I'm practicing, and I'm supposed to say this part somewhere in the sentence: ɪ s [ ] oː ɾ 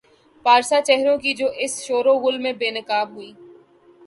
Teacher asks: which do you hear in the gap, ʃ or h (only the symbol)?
ʃ